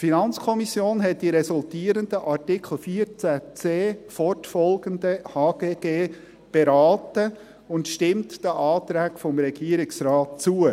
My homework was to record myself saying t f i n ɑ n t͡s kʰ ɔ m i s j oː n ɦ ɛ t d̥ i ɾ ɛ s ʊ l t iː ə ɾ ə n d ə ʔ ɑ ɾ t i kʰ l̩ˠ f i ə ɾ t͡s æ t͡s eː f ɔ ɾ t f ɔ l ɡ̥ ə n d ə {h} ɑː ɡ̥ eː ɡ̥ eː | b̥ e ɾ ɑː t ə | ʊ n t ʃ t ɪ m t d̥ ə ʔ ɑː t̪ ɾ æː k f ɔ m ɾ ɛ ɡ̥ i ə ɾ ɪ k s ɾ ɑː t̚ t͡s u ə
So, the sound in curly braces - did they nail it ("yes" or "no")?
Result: yes